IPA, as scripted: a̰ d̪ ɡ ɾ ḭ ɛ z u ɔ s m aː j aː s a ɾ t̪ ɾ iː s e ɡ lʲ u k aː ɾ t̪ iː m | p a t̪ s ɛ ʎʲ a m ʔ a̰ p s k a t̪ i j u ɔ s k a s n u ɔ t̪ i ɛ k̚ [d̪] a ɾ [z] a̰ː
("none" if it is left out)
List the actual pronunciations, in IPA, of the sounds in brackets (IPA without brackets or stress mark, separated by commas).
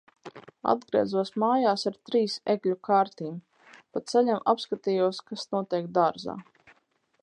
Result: d̪, z